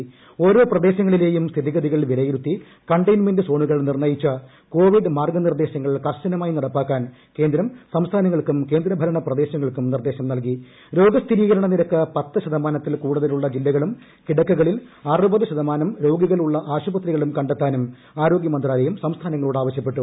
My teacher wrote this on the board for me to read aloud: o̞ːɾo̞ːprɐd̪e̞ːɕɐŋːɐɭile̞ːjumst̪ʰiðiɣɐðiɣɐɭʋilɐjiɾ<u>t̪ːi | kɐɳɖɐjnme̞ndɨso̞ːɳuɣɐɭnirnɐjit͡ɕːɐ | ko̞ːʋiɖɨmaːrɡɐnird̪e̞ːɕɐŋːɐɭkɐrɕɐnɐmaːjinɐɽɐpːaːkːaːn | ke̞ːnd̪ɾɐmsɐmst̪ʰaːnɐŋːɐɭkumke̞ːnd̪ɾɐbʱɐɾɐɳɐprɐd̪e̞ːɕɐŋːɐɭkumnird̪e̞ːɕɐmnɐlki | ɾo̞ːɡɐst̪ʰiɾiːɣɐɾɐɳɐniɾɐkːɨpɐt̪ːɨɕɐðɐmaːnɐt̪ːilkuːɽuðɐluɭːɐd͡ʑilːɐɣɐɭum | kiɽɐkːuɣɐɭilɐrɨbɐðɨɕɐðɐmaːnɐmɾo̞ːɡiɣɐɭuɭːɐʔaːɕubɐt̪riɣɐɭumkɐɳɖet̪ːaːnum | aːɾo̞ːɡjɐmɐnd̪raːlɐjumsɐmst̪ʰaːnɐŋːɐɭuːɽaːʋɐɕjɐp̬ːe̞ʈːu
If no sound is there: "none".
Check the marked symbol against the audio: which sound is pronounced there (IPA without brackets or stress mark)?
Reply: u